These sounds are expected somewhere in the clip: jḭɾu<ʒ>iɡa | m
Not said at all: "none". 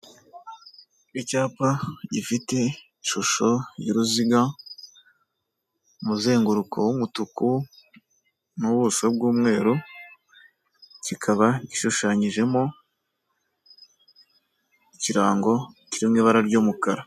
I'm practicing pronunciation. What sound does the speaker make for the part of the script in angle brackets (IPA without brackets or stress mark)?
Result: z